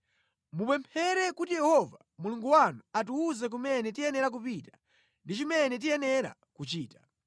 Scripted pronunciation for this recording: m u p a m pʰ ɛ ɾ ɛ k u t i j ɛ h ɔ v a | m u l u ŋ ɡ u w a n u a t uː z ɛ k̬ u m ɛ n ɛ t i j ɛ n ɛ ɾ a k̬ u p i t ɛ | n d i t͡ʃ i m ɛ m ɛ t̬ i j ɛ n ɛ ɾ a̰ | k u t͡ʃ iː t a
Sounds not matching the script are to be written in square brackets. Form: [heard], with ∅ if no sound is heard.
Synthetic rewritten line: m u p [ɛ] m pʰ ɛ ɾ ɛ k u t i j ɛ h ɔ v a | m u l u ŋ ɡ u w a n u a t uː z ɛ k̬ u m ɛ n ɛ t i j ɛ n ɛ ɾ a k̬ u p i t [a] | n d i t͡ʃ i m ɛ [n] ɛ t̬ i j ɛ n ɛ ɾ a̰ | k u t͡ʃ iː t a